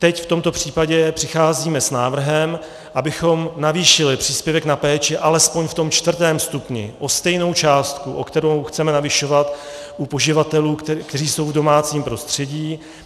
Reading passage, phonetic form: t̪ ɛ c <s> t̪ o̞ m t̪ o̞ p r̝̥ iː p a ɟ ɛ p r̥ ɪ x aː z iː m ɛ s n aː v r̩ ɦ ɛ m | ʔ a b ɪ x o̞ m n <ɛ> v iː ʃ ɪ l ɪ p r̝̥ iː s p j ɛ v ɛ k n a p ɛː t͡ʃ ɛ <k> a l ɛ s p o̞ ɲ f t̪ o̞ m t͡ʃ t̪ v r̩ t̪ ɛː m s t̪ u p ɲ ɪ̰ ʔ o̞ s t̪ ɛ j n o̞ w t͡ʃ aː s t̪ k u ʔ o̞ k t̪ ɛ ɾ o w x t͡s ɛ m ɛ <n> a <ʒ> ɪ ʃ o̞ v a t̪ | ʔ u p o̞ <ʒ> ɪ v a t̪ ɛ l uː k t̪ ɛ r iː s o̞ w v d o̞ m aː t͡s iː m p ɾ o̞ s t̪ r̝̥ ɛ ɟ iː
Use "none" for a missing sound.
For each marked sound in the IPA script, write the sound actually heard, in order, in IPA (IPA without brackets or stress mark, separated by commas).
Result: f, a, ʔ, n, v, ʒ